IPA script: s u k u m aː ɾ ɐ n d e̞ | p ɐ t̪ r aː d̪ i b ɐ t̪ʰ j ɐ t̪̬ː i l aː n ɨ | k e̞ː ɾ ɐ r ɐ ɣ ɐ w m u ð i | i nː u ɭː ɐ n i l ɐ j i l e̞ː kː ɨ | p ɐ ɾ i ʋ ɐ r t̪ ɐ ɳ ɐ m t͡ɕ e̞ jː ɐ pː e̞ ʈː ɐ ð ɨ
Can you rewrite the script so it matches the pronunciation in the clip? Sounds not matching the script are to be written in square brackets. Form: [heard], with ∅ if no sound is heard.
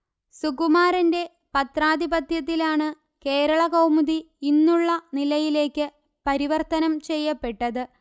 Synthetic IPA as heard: s u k u m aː ɾ ɐ n d e̞ | p ɐ t̪ r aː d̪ i b ɐ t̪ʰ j ɐ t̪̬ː i l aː [ɳ] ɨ | k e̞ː ɾ ɐ [ɭ] ɐ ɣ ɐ w m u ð i | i nː u ɭː ɐ n i l ɐ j i l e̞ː kː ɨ | p ɐ ɾ i ʋ ɐ r t̪ ɐ [n] ɐ m t͡ɕ e̞ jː ɐ pː e̞ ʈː ɐ ð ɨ